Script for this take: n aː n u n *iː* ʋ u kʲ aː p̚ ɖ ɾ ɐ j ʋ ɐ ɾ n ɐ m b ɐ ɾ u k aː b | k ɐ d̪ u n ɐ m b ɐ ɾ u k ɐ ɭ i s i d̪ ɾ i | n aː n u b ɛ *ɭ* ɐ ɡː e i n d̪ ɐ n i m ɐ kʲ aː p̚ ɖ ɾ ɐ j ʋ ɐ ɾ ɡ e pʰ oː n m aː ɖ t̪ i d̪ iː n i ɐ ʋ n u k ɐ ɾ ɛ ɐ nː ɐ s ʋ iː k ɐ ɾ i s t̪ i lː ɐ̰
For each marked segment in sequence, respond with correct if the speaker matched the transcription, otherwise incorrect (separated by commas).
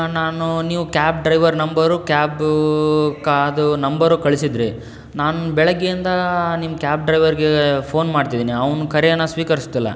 correct, correct